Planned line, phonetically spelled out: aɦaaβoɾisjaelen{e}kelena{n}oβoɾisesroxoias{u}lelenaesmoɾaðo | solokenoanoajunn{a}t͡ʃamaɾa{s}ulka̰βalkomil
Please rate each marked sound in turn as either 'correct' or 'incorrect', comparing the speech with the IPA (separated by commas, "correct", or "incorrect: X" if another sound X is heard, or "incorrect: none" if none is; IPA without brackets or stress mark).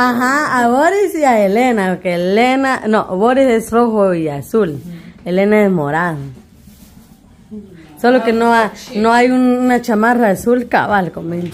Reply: incorrect: a, correct, correct, correct, correct